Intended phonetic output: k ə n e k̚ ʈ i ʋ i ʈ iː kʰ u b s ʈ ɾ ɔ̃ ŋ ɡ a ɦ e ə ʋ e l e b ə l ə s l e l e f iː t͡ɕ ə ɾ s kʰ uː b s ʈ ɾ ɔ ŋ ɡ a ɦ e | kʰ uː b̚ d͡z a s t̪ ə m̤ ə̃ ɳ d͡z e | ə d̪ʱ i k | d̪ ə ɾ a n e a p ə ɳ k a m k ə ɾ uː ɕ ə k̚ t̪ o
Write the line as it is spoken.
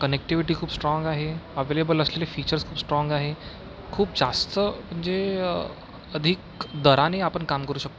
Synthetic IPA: k ə n e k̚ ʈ i ʋ i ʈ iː kʰ uː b s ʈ ɾ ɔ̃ ŋ ɡ a ɦ e ə ʋ e l e b ə l ə s l e l e f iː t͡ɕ ə ɾ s kʰ uː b s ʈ ɾ ɔ ŋ ɡ a ɦ e | kʰ uː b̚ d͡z a s t̪ ə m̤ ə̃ ɳ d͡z e | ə d̪ʱ i k | d̪ ə ɾ a n e a p ə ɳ k a m k ə ɾ uː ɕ ə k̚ t̪ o